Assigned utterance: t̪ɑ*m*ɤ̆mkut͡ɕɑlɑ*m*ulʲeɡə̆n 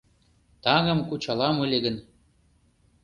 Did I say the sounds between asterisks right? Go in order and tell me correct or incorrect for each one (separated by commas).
incorrect, correct